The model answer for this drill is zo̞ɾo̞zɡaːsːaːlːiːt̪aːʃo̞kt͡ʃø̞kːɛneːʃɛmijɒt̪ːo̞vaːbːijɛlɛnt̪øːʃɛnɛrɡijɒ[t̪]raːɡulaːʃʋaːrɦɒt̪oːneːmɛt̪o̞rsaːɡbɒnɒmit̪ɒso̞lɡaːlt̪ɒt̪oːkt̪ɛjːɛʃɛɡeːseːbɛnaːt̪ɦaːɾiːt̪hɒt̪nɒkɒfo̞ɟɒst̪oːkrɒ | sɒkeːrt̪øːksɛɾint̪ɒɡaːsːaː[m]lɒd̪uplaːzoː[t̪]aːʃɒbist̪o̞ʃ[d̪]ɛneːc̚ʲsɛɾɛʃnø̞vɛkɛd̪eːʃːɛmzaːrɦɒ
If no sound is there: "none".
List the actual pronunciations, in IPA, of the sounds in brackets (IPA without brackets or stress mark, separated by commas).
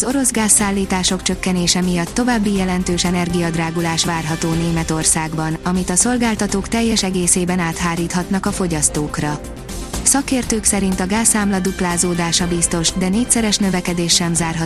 d̪, m, d̪, d̪